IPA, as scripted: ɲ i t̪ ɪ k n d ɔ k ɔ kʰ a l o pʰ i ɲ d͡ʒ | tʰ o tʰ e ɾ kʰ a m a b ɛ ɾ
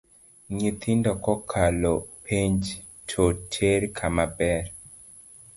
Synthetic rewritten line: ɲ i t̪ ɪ n d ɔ k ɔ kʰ a l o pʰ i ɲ d͡ʒ | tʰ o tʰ e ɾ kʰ a m a b ɛ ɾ